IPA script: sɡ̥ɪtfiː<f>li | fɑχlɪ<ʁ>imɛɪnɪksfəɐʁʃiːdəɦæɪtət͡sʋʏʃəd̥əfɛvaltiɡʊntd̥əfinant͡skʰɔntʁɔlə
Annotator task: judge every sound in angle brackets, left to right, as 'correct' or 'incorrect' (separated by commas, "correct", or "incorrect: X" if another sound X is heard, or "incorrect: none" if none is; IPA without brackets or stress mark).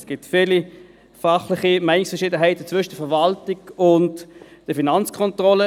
incorrect: none, incorrect: χ